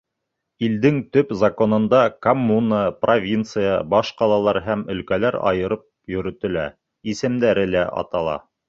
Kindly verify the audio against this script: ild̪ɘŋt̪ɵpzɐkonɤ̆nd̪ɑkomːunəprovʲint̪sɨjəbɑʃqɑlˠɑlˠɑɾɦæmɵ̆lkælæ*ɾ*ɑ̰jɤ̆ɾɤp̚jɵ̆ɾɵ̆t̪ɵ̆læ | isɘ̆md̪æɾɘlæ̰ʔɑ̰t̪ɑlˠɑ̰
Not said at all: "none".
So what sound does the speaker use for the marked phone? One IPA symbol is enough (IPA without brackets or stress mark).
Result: ɾ